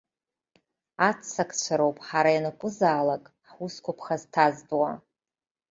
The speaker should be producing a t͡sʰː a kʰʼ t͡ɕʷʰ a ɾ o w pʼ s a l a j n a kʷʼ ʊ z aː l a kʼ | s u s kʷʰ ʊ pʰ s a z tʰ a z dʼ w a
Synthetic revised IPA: a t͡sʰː a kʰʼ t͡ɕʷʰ a ɾ o w pʼ ħ a ɾ a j n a kʷʼ ʊ z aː l a kʼ | ħ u s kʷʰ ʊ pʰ χ a z tʰ a z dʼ w a